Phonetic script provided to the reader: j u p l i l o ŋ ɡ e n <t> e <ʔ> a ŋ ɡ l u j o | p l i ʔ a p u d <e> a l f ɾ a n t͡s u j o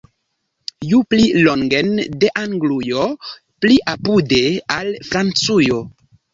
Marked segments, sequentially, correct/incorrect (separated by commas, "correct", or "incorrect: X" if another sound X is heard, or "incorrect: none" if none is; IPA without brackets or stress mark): incorrect: d, correct, correct